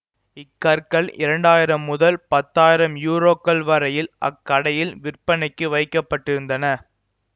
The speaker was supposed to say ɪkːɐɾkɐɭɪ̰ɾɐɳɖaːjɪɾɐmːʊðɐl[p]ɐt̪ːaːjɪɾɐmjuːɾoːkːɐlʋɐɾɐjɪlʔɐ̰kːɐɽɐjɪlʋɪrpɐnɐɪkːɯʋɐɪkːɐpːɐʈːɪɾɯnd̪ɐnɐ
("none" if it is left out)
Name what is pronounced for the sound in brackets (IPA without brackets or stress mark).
p